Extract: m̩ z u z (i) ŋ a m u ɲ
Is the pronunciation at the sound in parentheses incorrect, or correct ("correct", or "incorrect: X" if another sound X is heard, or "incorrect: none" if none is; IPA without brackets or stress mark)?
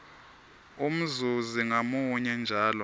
correct